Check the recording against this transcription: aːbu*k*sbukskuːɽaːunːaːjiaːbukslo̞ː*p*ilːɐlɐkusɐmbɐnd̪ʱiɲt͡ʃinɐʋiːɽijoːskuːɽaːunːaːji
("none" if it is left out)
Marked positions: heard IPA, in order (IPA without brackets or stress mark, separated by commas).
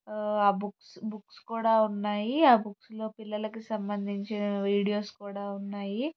k, p